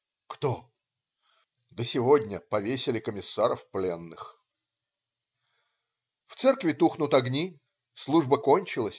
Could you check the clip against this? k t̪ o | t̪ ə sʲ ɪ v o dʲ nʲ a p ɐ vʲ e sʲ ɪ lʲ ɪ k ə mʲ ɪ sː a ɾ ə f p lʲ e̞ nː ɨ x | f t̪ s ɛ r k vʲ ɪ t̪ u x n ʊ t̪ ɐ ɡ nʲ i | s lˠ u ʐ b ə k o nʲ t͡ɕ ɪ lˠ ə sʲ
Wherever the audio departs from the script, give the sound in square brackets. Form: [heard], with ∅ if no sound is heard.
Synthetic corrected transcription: k t̪ o | [d̪] ə sʲ ɪ v o dʲ nʲ [ə] p ɐ vʲ e sʲ ɪ lʲ ɪ k ə mʲ ɪ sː a ɾ ə f p lʲ e̞ nː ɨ x | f t̪ s ɛ r k vʲ ɪ t̪ u x n ʊ t̪ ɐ ɡ nʲ i | s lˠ u ʐ b ə k o nʲ t͡ɕ ɪ lˠ ə sʲ